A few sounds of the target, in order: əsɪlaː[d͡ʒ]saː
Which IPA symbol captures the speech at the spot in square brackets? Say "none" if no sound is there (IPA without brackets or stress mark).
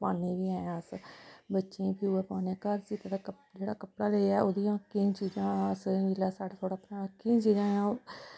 none